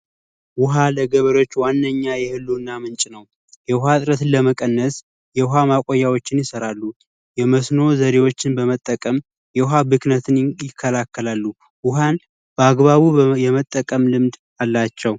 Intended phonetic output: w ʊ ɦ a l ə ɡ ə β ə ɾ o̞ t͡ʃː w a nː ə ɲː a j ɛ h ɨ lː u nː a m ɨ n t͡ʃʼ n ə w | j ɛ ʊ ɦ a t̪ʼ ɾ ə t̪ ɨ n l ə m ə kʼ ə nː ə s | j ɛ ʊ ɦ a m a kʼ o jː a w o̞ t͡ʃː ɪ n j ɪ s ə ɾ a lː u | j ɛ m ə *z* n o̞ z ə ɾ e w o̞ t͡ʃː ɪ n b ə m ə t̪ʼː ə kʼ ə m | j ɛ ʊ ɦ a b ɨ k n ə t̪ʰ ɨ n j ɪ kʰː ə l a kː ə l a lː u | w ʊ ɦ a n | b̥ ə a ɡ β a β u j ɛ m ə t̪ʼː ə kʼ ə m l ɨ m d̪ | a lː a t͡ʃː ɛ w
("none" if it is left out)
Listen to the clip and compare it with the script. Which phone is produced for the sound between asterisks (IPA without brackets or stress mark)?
s